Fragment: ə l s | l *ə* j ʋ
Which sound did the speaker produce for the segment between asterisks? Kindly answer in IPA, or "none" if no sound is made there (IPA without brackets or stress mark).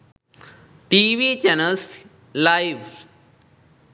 a